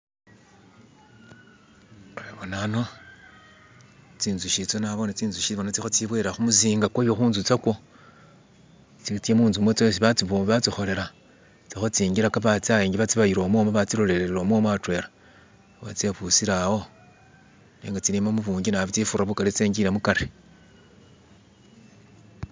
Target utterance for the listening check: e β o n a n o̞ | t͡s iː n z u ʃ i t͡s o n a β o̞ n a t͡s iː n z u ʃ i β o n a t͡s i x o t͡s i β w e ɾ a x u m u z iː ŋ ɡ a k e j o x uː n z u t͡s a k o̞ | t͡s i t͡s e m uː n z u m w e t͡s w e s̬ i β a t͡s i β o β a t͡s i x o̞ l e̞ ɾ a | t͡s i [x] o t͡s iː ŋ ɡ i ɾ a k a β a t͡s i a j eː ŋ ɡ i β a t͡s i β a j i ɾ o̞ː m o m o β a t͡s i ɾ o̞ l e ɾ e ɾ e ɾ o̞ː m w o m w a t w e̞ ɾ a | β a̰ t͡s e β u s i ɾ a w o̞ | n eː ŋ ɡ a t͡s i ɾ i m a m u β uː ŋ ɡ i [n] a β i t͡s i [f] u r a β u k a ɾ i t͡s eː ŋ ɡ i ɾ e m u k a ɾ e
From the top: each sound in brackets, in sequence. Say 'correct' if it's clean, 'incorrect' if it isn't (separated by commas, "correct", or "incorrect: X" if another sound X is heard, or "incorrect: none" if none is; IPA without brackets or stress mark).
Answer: correct, correct, correct